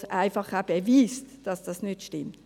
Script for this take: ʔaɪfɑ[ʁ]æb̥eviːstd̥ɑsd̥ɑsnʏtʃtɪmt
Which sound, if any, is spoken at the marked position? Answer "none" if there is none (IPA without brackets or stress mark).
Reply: χ